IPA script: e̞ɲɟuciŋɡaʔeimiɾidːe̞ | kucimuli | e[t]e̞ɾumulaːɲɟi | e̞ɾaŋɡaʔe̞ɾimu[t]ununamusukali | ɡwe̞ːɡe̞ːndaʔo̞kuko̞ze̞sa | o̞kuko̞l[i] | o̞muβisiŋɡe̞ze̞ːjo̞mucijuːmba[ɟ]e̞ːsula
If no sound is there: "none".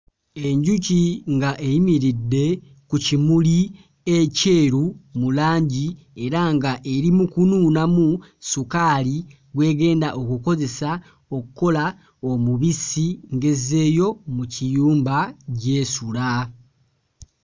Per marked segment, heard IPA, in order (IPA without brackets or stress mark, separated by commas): c, k, a, ɟ